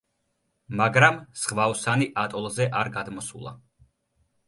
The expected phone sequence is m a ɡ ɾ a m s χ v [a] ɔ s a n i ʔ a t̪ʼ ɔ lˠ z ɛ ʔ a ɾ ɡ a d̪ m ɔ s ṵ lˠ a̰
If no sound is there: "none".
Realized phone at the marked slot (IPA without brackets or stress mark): a